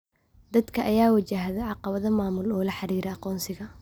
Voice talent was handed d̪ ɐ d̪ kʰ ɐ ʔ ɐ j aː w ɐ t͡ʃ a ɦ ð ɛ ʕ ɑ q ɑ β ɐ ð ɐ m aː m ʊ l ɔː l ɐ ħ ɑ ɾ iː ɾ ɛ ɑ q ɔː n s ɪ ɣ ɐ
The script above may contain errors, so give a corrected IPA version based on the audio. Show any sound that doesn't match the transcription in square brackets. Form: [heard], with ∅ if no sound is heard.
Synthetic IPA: d̪ ɐ d̪ kʰ ɐ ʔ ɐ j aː w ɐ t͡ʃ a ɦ ð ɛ ʕ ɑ q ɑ β ɐ ð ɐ m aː m ʊ l ɔː l ɐ ħ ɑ ɾ iː ɾ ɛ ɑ q ɔː n s ɪ ɣ ɐ